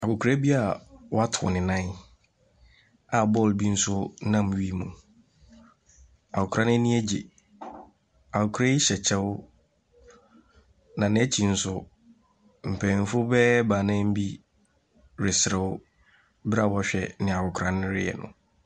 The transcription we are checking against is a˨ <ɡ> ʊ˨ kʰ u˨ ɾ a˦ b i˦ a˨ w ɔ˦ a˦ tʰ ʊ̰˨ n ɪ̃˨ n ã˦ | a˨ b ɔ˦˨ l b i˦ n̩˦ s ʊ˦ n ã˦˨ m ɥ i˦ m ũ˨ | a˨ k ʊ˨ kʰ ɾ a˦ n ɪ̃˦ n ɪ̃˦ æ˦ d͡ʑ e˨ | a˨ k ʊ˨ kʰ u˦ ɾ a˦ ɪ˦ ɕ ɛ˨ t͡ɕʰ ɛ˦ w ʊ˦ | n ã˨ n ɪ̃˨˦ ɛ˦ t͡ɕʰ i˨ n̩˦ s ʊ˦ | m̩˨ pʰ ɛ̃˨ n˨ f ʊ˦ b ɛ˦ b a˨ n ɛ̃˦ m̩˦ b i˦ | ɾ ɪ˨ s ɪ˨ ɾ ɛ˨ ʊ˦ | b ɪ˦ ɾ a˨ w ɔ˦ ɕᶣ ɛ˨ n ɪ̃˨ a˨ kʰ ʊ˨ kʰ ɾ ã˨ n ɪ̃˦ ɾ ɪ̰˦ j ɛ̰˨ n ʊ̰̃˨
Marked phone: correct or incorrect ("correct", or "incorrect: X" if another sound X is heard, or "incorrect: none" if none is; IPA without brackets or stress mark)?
incorrect: k